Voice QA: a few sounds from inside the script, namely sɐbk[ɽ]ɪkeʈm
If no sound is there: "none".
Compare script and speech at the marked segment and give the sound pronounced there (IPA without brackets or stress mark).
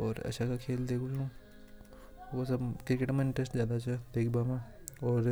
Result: ɾ